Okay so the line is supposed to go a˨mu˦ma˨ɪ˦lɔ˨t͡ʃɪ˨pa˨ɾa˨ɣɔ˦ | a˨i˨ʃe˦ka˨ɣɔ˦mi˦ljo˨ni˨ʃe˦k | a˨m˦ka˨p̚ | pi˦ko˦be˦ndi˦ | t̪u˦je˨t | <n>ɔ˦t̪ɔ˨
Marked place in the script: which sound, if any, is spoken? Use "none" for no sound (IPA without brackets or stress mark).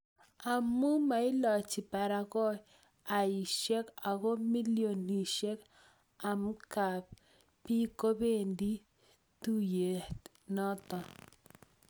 n